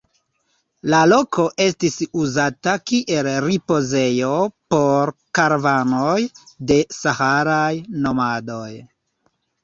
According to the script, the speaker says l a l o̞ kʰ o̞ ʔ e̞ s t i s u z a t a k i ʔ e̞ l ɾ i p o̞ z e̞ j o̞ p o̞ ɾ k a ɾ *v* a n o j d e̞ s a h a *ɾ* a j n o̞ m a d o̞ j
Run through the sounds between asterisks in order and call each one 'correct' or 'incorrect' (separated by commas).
correct, correct